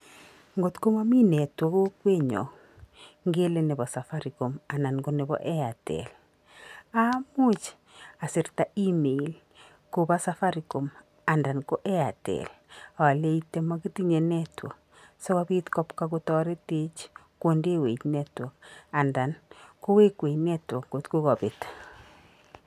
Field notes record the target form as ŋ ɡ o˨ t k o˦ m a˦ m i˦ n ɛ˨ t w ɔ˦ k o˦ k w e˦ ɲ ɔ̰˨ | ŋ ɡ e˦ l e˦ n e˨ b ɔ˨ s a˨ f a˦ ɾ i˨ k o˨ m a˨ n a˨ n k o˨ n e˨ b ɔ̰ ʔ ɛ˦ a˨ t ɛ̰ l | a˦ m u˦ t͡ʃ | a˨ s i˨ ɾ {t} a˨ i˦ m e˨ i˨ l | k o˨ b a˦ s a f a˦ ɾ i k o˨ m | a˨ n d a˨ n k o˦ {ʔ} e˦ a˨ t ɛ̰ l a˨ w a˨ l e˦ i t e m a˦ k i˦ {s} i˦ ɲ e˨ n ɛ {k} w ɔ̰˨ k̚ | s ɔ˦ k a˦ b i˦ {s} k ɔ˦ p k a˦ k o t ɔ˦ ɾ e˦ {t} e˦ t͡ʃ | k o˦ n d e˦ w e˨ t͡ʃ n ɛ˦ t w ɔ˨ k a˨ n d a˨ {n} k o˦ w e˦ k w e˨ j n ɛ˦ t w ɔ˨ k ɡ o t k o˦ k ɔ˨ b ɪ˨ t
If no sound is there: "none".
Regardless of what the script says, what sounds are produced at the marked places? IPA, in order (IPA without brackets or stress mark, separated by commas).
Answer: t, ʔ, t, t, t, t, n